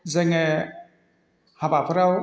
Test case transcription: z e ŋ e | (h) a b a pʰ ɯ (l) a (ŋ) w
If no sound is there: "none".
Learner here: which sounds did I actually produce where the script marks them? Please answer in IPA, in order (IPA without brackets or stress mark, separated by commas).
h, ɾ, none